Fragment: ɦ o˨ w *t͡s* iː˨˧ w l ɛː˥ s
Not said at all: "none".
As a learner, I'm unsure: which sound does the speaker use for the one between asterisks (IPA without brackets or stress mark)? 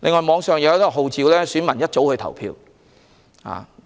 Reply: t͡s